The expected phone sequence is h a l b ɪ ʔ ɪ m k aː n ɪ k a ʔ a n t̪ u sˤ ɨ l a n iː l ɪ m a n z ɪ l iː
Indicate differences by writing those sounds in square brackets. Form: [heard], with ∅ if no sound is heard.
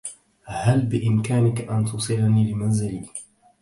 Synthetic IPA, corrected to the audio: h a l b ɪ ʔ ɪ m k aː n ɪ k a ʔ a n t̪ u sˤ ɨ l a n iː l ɪ m a n z ɪ l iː